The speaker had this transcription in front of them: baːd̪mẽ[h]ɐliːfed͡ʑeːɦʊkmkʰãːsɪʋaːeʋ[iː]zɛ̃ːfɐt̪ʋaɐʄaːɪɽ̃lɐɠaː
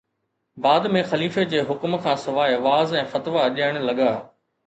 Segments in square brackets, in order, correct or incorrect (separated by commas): incorrect, incorrect